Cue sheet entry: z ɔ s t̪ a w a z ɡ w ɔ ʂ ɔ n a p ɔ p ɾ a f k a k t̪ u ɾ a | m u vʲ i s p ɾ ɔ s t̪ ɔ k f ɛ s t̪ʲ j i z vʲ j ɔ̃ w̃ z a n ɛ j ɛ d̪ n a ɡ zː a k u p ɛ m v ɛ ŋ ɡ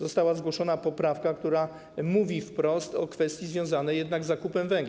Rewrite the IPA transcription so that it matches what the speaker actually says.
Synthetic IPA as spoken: z ɔ s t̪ a w a z ɡ w ɔ ʂ ɔ n a p ɔ p ɾ a f k a k t̪ u ɾ a | m u vʲ i f p ɾ ɔ s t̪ ɔ k f ɛ s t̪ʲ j i z vʲ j ɔ̃ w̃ z a n ɛ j ɛ d̪ n a ɡ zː a k u p ɛ m v ɛ ŋ ɡ